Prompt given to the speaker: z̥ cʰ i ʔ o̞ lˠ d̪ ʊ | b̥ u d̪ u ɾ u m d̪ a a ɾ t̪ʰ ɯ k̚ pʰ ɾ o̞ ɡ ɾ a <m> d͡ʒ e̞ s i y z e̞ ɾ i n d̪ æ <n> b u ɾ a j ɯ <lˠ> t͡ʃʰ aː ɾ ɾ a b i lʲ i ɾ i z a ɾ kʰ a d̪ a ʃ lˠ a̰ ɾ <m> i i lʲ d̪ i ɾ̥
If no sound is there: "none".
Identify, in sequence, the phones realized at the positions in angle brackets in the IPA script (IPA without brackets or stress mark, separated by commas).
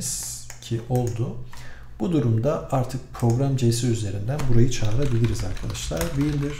m, n, none, b